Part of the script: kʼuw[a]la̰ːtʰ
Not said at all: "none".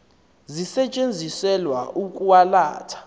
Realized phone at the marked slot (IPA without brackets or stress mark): a